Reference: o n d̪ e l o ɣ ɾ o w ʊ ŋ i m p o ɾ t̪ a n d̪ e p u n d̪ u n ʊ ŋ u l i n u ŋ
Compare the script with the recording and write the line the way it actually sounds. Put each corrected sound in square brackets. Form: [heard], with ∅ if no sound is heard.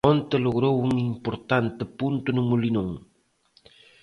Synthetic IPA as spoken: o n [t̪] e l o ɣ ɾ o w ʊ ŋ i m p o ɾ t̪ a n [t̪] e p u n [t̪] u n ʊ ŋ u l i n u ŋ